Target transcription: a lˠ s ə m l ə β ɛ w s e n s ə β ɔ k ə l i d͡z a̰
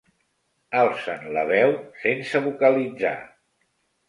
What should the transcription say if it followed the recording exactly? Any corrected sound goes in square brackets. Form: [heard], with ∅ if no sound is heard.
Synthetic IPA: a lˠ s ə [n] l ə β ɛ w s e n s ə β [u] k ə l i d͡z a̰